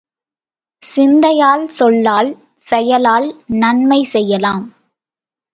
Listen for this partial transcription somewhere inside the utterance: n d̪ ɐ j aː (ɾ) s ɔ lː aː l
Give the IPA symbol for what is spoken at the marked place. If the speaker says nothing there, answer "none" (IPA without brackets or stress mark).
l